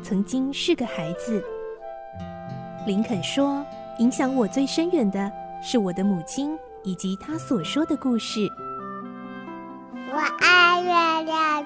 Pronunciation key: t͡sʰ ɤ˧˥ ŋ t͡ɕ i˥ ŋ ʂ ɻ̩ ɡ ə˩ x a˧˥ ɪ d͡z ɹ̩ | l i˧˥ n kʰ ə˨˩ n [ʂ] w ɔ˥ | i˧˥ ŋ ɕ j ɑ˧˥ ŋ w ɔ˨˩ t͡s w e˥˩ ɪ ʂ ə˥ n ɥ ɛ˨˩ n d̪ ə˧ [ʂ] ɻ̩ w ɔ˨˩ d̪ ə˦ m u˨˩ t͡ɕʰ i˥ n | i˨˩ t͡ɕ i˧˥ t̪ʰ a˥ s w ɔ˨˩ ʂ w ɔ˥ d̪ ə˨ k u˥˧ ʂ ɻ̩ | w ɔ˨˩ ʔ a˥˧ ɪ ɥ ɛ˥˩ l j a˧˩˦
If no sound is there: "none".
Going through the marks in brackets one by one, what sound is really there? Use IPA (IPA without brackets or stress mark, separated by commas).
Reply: ʂ, ʂ